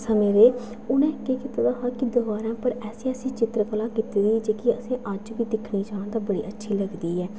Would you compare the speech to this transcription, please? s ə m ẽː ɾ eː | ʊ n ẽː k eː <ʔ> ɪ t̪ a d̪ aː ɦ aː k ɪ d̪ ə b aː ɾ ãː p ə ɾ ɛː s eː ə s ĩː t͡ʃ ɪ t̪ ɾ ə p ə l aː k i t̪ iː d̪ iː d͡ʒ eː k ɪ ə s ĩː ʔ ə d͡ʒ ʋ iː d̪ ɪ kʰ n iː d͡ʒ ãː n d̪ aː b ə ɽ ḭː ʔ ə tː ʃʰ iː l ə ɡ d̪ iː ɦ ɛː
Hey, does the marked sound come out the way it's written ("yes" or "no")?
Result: no